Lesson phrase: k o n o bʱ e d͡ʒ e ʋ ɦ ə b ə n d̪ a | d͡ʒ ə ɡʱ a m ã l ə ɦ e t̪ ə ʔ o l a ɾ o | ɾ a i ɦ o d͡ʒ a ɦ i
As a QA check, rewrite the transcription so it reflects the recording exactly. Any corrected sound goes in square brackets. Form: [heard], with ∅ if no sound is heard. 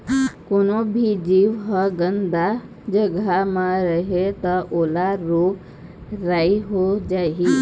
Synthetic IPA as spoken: k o n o bʱ [i] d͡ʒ [i] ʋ ɦ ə [ɡ] ə n d̪ a | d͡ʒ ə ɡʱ a m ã [ɾ] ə ɦ e t̪ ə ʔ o l a ɾ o | ɾ a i ɦ o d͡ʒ a ɦ i